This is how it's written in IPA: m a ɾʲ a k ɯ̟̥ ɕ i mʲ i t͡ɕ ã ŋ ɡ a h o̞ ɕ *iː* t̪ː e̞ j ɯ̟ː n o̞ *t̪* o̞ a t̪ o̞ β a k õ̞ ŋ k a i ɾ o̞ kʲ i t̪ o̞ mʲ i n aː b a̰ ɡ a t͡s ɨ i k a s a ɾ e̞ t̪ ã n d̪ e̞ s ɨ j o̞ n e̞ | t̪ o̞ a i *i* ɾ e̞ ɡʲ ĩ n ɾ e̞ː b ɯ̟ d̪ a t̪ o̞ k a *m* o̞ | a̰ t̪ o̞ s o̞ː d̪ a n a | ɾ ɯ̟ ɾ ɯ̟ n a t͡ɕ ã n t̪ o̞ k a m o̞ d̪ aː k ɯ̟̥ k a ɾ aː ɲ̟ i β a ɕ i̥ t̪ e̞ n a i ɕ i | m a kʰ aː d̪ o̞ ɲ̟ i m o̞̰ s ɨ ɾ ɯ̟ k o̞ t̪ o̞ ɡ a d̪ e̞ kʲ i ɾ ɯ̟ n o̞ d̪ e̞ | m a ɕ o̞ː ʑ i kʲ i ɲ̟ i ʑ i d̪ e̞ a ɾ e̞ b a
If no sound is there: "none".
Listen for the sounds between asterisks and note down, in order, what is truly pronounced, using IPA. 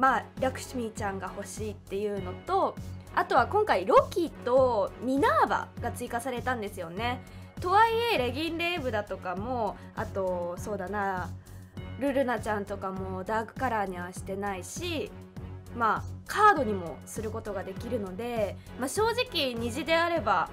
iː, t̪, e, m

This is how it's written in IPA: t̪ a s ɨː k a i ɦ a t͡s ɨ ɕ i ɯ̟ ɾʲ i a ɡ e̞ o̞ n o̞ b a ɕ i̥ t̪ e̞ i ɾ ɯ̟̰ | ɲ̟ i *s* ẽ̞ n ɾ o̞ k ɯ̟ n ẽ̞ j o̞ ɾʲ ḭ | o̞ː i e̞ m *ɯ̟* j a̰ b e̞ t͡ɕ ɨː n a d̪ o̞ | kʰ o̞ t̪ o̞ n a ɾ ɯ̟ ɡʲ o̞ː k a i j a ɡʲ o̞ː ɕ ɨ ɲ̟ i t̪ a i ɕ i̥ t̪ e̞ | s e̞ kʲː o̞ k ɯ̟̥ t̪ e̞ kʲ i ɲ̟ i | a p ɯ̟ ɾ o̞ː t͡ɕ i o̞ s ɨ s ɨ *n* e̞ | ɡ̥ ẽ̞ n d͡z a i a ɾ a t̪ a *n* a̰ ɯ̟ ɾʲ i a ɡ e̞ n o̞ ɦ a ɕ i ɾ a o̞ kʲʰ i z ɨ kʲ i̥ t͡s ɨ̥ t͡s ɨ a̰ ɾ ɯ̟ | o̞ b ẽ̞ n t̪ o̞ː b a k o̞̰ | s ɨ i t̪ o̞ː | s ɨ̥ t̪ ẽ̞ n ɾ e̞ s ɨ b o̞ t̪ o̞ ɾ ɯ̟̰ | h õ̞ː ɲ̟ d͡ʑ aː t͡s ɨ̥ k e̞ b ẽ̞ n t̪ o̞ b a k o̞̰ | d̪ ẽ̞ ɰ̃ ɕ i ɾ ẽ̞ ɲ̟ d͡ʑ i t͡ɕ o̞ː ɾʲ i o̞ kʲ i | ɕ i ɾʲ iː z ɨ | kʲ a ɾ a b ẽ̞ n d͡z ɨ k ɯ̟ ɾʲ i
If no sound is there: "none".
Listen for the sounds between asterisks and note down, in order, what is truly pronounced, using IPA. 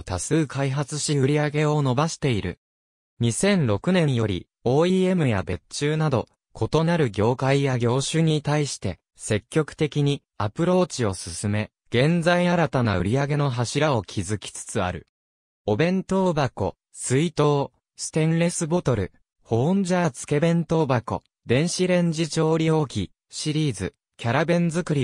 s, ɯ̟, m, n

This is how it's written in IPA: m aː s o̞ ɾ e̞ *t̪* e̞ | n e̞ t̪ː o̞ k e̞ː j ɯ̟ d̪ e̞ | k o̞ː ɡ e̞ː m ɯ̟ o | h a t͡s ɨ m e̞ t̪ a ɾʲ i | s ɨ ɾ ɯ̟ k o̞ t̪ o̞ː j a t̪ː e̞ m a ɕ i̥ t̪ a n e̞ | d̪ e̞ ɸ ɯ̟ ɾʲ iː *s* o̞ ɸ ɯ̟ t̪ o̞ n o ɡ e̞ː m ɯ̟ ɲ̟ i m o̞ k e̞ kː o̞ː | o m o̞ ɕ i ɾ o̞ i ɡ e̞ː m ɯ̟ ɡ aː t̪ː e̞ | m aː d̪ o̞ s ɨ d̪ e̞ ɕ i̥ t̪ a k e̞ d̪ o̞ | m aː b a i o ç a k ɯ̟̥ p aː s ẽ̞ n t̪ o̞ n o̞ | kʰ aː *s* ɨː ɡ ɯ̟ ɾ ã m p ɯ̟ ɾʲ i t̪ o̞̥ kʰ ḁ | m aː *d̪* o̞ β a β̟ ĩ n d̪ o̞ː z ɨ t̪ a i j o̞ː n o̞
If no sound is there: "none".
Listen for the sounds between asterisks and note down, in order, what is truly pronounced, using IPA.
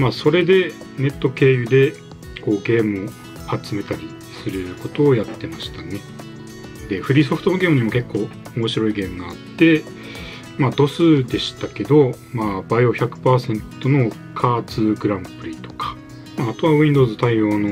d̪, s, t͡s, t̪

